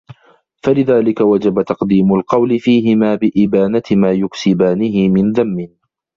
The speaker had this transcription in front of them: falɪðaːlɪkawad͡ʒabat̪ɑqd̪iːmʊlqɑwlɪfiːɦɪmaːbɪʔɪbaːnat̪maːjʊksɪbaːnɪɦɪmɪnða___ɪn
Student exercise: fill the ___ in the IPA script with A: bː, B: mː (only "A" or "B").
B